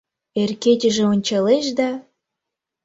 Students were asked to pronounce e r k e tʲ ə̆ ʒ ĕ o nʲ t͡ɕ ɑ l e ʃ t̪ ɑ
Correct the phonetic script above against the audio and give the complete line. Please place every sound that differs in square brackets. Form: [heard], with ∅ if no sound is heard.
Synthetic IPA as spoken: e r k e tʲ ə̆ ʒ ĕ o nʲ t͡ɕ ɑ l e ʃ [d̪] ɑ